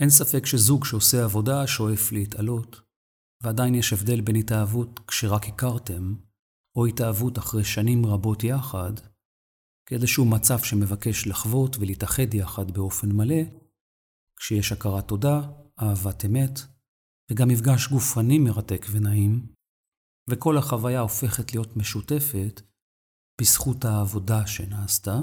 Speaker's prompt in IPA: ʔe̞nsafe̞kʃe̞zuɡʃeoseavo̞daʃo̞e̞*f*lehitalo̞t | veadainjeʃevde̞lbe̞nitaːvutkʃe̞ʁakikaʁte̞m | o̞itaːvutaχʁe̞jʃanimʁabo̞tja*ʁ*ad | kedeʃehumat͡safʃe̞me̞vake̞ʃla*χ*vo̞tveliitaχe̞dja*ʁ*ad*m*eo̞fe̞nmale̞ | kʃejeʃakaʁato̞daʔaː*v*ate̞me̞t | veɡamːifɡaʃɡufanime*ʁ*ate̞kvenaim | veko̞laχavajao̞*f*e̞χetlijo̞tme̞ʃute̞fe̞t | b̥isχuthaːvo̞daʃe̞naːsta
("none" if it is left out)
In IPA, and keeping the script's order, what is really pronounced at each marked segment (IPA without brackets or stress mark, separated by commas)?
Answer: f, χ, χ, χ, b, v, ʁ, f